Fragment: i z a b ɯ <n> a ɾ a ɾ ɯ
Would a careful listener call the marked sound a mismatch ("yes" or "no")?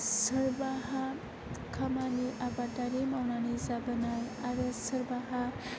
no